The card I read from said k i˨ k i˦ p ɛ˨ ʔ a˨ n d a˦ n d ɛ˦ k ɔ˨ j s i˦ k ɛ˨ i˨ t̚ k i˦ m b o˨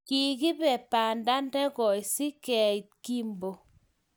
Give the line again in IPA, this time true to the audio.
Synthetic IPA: k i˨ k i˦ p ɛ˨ p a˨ n d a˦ n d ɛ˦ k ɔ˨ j s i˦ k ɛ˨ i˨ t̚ k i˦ m b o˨